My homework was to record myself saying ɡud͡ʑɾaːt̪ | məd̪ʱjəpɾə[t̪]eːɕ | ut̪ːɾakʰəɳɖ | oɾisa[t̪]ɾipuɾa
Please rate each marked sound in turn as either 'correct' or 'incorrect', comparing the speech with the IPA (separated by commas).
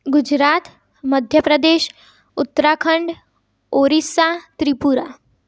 incorrect, correct